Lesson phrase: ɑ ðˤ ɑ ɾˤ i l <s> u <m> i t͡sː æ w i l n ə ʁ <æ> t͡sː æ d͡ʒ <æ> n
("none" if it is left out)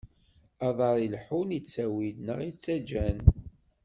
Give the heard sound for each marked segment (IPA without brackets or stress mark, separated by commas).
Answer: ħ, n, i, æ